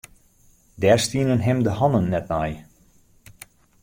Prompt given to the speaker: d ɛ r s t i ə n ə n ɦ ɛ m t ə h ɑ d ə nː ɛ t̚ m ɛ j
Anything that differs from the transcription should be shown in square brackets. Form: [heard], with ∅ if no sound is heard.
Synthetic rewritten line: d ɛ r s t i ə n ə n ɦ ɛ m [d] ə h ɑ [n] ə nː ɛ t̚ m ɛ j